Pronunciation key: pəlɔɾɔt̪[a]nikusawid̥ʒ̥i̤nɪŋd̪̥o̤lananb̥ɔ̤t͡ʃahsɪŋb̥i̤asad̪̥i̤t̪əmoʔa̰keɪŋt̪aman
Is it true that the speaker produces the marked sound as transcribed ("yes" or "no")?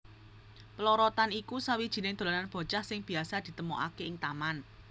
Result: yes